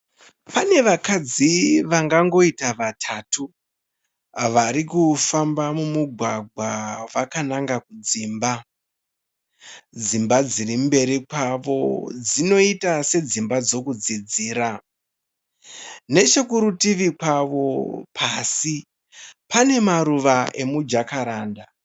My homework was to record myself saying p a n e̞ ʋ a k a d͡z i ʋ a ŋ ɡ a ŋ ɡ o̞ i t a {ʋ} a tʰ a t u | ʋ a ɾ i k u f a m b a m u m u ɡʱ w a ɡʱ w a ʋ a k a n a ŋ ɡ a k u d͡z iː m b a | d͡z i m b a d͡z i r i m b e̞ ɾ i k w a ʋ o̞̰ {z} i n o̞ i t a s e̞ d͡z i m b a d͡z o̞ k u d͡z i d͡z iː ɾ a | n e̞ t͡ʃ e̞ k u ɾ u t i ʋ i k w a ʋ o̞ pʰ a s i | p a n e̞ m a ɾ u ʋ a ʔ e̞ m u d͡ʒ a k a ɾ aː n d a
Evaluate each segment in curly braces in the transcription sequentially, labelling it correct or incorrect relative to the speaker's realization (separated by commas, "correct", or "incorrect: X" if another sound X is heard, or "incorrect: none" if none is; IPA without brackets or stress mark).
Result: correct, incorrect: d͡z